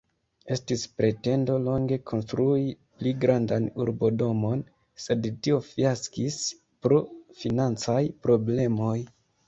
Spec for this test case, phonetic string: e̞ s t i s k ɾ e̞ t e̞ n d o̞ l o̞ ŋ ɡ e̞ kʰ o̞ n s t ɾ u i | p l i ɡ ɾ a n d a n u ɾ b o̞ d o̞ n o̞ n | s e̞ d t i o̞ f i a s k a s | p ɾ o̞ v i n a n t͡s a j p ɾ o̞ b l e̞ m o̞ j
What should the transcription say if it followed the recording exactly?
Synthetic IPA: e̞ s t i s p ɾ e̞ t e̞ n d o̞ l o̞ ŋ ɡ e̞ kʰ o̞ n s t ɾ u i | p l i ɡ ɾ a n d a n u ɾ b o̞ d o̞ m o̞ n | s e̞ d t i o̞ f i a s k i s | p ɾ o̞ f i n a n t͡s a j p ɾ o̞ b l e̞ m o̞ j